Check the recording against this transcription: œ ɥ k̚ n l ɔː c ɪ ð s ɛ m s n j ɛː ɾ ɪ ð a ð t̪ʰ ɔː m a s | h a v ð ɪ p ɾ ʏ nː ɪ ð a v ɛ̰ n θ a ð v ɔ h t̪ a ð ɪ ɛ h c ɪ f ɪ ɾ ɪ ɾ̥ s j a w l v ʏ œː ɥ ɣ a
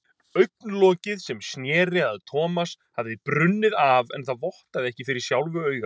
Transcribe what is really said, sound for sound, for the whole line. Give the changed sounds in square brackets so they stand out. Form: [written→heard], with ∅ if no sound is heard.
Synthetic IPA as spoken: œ ɥ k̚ n l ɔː c ɪ ð s ɛ m s n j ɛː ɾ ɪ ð a ð t̪ʰ ɔː m a s | h a v ð ɪ p ɾ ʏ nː ɪ ð a v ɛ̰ n θ a ð v ɔ h t̪ a ð ɪ ɛ h c ɪ f ɪ ɾ ɪ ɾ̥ s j a w l v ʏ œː ɥ ɣ a